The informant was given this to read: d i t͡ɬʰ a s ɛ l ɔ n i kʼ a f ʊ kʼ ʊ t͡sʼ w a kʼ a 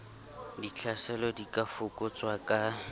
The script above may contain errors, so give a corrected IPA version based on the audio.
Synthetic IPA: d i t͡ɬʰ a s ɛ l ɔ d i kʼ a f ʊ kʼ ʊ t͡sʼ w a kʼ a